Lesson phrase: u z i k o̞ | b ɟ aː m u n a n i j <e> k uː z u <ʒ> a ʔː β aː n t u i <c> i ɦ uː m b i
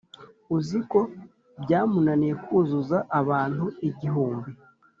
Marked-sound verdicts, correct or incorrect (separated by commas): correct, incorrect, incorrect